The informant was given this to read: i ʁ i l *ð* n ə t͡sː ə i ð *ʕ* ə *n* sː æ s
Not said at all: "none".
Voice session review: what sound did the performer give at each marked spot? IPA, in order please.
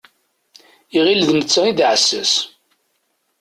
ð, ʕ, none

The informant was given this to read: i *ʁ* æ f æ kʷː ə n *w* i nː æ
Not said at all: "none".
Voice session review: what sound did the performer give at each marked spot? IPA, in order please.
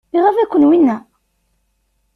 ʁ, w

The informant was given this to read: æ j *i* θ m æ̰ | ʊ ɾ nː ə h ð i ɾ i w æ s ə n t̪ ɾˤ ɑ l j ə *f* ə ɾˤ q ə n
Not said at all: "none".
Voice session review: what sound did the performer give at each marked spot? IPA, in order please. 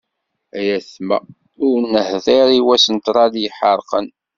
æ, ħ

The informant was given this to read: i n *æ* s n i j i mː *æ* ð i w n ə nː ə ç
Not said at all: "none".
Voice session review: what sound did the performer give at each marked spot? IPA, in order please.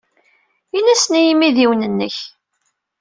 æ, i

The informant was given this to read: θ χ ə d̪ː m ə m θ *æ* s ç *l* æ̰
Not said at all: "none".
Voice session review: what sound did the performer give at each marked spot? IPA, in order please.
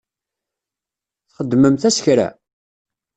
æ, ɾ

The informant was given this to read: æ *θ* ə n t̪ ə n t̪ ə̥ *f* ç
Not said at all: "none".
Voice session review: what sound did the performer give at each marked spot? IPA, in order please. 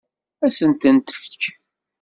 s, f

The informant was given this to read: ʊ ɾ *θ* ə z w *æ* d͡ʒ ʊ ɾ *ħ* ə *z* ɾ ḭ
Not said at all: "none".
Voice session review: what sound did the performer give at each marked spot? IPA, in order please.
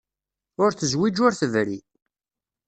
θ, i, θ, v

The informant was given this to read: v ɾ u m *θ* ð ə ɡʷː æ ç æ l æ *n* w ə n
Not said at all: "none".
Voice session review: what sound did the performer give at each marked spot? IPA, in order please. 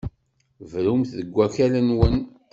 θ, n

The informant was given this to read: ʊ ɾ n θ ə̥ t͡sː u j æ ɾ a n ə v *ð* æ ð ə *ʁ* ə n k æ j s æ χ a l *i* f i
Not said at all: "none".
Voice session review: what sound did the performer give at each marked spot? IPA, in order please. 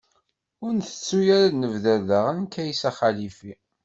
ð, ʁ, i

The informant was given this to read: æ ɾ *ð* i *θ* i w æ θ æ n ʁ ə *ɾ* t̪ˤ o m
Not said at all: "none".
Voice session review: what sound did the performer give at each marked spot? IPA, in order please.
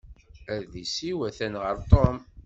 ð, s, ɾ

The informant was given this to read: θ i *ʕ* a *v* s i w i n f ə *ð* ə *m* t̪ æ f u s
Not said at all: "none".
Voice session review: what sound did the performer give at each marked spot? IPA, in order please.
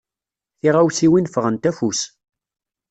ʁ, w, ʁ, n

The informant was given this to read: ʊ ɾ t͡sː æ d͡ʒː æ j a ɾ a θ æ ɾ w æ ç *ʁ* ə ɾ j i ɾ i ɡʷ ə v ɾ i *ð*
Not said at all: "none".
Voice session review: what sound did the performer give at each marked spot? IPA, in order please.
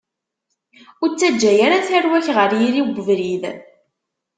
ʁ, ð

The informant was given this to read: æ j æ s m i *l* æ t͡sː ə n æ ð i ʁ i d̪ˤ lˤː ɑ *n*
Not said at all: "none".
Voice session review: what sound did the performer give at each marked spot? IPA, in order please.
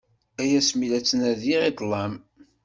l, m

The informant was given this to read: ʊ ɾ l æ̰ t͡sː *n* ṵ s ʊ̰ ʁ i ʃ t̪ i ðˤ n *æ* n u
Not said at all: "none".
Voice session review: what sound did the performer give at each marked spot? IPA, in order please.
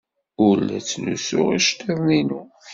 n, i

